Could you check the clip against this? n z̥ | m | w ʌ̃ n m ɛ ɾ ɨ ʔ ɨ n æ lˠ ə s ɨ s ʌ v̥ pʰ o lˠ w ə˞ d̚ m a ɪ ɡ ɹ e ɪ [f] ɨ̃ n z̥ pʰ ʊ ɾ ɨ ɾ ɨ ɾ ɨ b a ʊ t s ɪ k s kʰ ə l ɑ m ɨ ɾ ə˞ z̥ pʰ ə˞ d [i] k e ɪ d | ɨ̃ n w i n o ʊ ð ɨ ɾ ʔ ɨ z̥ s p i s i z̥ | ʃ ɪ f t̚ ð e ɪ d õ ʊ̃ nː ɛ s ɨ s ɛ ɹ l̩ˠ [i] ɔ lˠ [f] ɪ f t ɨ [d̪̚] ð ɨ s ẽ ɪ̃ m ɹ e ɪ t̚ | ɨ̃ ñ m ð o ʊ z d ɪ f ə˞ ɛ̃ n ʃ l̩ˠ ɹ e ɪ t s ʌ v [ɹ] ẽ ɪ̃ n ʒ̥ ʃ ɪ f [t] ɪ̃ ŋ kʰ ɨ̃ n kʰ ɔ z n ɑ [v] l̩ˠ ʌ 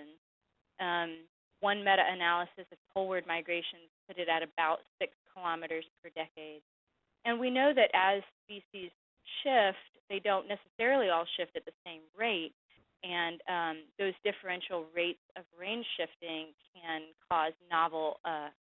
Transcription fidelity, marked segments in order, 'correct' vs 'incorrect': incorrect: ʃ, incorrect: ɛ, correct, incorrect: ʃ, incorrect: t̪̚, correct, correct, correct

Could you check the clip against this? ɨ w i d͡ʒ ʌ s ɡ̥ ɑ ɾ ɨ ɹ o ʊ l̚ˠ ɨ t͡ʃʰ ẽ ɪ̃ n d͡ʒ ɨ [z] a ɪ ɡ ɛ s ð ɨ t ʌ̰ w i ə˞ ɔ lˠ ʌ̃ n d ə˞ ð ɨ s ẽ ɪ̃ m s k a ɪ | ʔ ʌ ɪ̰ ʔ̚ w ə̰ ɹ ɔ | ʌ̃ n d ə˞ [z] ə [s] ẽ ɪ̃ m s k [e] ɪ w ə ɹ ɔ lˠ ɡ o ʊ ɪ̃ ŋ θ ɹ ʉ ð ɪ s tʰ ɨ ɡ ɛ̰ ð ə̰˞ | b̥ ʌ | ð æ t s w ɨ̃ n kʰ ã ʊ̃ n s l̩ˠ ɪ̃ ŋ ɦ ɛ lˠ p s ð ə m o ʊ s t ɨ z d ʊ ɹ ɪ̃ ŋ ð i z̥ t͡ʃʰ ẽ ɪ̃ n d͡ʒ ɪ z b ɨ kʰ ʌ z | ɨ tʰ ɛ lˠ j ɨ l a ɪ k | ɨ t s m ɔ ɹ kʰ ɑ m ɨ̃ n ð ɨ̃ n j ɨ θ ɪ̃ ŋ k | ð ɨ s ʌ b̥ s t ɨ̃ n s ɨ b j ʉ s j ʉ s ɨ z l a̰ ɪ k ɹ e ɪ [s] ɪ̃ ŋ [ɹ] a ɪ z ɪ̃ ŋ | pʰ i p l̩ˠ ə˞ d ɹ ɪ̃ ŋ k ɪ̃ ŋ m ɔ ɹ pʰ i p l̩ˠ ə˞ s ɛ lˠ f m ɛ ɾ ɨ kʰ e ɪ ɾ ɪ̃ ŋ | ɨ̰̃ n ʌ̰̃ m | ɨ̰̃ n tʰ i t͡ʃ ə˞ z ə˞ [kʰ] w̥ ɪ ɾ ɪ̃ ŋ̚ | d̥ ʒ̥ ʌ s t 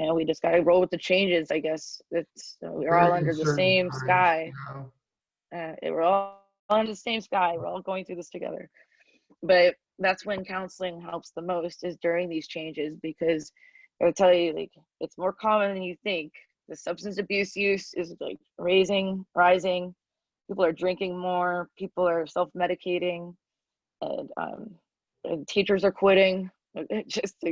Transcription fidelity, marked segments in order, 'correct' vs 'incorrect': correct, incorrect: ð, correct, incorrect: a, incorrect: z, correct, correct

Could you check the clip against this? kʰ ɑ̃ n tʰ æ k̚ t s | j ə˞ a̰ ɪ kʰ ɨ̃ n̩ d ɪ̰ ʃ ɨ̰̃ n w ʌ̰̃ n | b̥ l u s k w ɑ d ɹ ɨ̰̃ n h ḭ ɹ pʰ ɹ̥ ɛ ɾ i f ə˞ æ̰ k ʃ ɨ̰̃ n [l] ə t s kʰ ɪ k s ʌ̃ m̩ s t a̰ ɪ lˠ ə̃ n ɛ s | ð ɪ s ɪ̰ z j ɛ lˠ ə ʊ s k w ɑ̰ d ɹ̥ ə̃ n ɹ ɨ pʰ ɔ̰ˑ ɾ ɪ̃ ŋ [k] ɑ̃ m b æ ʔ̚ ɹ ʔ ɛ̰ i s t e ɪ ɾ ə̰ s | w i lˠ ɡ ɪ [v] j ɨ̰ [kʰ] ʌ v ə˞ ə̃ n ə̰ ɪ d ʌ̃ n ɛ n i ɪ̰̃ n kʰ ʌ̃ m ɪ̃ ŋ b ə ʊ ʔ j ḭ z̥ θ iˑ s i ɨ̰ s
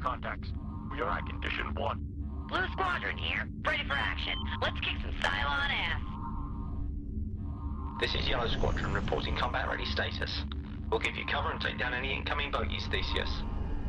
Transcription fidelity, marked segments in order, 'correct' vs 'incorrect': correct, incorrect: kʰ, correct, correct

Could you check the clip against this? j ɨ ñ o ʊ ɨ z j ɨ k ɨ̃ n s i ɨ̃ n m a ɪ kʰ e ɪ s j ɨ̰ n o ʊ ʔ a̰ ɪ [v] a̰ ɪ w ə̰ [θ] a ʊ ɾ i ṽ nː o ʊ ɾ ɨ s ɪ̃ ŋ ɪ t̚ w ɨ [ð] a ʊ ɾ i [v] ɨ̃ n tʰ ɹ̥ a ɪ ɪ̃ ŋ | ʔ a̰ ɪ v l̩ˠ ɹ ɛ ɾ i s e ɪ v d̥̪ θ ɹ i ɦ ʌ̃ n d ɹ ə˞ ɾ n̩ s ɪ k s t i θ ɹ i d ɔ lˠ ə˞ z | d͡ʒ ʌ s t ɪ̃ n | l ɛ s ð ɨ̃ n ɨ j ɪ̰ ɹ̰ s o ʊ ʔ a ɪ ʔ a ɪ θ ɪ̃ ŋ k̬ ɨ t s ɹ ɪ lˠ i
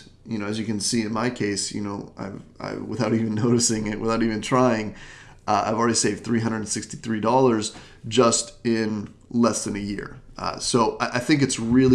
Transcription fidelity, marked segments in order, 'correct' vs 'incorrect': correct, correct, incorrect: θ, correct

